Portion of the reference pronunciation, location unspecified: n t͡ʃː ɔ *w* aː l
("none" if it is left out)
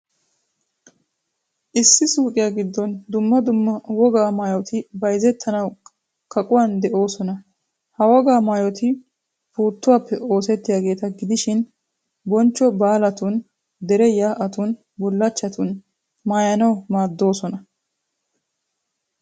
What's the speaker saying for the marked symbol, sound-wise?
b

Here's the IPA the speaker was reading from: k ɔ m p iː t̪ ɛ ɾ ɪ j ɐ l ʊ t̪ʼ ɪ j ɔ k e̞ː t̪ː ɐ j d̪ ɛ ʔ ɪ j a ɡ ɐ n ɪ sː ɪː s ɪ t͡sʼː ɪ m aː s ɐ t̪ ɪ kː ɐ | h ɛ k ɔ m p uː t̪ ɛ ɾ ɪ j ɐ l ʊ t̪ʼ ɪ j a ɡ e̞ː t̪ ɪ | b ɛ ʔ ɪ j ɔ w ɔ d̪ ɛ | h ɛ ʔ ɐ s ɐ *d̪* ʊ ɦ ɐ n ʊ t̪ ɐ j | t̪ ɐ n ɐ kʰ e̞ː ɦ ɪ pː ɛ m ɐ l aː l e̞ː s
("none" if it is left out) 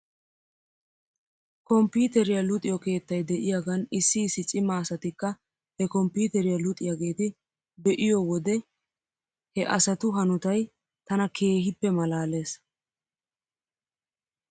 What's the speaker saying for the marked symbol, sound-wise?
t̪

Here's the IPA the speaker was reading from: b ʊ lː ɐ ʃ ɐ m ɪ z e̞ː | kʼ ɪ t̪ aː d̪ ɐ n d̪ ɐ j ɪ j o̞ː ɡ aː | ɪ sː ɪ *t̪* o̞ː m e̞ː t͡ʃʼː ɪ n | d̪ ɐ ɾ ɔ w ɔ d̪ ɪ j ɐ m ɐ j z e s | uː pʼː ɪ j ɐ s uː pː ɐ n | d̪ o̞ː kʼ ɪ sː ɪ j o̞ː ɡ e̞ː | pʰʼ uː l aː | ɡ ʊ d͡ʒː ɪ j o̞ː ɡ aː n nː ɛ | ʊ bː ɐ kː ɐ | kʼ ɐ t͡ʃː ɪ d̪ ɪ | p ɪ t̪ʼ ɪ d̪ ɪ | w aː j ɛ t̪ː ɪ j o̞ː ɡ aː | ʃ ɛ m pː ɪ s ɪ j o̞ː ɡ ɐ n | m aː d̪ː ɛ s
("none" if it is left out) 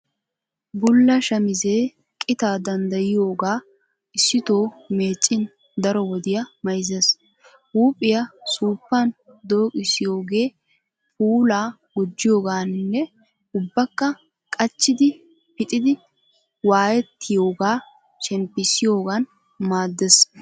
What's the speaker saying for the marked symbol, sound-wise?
t̪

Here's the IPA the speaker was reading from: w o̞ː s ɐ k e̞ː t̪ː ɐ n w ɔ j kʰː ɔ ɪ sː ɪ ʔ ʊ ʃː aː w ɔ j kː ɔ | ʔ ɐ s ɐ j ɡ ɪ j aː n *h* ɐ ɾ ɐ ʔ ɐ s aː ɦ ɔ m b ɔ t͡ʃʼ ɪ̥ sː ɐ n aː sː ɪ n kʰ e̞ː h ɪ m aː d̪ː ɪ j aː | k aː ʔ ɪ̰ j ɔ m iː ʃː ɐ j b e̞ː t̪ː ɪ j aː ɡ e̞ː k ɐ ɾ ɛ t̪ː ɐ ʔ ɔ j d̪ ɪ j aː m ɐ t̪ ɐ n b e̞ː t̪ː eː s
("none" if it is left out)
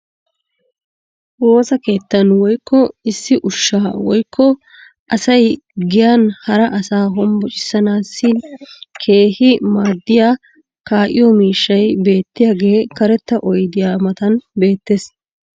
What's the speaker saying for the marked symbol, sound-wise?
h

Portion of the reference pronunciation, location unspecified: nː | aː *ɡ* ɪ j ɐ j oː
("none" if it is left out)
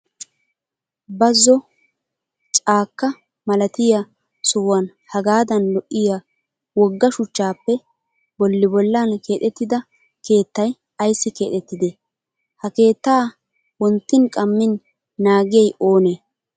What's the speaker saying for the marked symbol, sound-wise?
ɡ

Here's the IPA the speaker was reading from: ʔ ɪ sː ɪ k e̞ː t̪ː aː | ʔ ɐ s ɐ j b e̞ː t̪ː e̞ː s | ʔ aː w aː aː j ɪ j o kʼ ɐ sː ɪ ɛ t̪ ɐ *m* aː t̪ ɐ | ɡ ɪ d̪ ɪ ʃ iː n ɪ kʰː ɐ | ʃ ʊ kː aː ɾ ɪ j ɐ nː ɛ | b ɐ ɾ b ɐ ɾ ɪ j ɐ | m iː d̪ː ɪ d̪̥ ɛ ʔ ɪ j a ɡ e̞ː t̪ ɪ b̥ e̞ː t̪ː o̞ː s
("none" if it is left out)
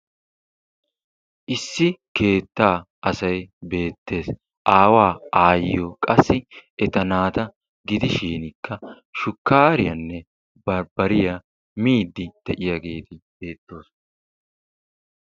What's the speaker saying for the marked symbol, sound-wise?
n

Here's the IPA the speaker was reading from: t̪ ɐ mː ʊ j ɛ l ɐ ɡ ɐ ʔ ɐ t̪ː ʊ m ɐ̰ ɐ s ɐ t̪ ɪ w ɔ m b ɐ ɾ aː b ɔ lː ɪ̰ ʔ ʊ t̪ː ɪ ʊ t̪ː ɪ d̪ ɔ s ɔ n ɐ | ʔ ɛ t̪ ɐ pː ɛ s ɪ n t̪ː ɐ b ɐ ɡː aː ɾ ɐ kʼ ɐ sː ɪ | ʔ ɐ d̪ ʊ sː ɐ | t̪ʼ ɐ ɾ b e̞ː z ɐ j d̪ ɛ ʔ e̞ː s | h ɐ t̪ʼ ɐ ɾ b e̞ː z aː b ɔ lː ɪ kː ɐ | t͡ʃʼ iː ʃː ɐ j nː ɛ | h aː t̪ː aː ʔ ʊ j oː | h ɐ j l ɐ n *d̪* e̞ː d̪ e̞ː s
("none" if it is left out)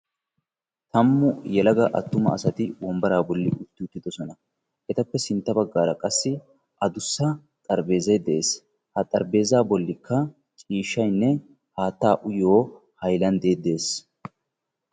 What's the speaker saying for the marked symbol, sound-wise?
d̪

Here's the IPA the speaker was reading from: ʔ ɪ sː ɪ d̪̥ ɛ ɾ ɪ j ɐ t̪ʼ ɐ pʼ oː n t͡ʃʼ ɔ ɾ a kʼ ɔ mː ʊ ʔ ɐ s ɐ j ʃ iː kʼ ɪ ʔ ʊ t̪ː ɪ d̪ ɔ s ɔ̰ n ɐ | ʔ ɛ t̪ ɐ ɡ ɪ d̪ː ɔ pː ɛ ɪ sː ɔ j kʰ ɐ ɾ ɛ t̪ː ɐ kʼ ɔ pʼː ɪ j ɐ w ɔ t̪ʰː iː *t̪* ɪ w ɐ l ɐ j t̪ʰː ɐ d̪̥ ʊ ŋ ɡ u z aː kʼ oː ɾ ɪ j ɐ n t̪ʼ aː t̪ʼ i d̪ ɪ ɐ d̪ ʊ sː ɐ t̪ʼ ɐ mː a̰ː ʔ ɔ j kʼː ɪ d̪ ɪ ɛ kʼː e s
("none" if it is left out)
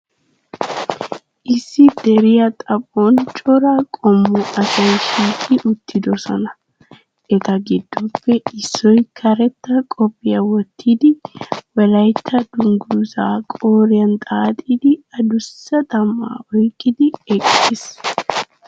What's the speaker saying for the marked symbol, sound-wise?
d̪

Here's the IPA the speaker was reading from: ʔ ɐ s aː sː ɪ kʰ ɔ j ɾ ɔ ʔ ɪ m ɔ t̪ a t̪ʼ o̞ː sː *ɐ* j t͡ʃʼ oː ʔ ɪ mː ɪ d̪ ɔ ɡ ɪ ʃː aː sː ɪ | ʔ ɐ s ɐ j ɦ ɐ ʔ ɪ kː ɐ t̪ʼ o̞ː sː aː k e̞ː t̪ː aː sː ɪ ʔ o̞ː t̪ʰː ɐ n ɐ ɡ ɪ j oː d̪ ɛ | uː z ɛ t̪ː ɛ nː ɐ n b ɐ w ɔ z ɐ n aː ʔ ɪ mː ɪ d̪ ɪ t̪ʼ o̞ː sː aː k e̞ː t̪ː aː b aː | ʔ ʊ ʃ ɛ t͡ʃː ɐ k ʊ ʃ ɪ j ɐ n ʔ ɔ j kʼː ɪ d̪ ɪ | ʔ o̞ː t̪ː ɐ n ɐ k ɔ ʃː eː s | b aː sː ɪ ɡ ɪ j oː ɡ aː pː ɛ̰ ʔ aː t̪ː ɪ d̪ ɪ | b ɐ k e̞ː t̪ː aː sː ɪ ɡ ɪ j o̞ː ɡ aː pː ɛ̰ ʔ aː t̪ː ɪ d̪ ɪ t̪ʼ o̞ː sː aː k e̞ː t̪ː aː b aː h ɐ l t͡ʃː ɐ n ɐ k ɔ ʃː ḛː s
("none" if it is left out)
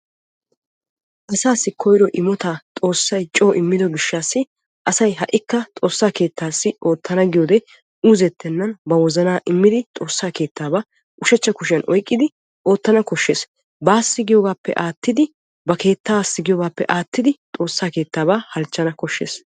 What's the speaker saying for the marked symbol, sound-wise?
ɐ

